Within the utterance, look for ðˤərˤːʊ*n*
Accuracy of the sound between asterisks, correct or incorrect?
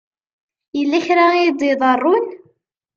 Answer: correct